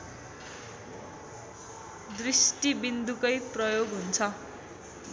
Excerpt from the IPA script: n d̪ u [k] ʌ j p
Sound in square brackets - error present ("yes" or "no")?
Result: no